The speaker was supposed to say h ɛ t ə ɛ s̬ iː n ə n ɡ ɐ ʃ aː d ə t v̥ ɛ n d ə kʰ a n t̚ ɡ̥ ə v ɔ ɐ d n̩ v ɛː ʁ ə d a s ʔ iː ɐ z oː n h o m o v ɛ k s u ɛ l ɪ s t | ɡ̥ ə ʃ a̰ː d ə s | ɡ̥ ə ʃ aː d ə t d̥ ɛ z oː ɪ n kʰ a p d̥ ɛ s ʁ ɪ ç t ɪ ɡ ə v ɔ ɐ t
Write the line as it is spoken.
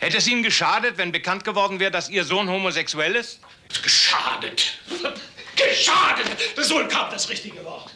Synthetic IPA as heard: h ɛ t ə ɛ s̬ iː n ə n ɡ ə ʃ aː d ə t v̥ ɛ n b ə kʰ a n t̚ ɡ̥ ə v ɔ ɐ d n̩ v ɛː ʁ ə d a s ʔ iː ɐ z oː n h o m o z ɛ k s u ɛ l ɪ s t | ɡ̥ ə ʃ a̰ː d ə t | ɡ̥ ə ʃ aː d ə t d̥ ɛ z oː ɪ n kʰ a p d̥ a s ʁ ɪ ç t ɪ ɡ ə v ɔ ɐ t